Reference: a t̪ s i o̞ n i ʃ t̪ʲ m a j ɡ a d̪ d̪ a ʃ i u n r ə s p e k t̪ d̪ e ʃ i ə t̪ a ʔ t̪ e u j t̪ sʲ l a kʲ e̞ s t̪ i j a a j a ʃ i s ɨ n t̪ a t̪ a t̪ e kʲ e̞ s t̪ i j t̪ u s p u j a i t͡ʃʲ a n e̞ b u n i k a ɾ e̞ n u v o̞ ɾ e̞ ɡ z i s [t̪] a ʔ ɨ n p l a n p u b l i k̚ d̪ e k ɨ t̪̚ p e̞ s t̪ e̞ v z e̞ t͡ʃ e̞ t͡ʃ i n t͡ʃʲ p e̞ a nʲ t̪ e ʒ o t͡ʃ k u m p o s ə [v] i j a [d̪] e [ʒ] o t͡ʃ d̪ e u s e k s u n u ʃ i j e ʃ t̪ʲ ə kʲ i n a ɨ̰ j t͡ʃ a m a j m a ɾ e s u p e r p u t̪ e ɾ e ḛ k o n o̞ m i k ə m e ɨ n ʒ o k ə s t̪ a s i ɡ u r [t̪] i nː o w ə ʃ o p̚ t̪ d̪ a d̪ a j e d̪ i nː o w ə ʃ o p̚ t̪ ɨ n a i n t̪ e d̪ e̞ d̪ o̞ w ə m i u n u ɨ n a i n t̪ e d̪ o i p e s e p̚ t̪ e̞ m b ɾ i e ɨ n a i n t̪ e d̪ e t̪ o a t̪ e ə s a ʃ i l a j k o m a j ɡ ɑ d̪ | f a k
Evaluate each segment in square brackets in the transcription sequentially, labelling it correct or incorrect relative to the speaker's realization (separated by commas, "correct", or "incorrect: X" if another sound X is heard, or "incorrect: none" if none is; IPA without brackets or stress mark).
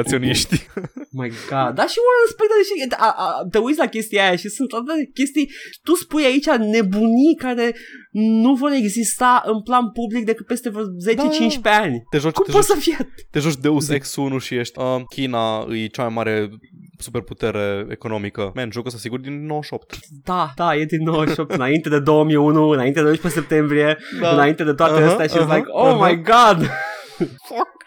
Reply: correct, incorrect: f, incorrect: t̪, correct, incorrect: d̪